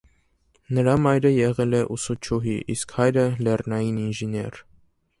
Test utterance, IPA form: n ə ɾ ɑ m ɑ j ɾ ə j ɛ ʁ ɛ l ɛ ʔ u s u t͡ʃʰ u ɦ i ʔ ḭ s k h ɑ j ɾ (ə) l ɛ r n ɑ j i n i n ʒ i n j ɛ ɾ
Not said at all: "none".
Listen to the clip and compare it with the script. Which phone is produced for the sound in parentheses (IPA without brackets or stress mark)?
ə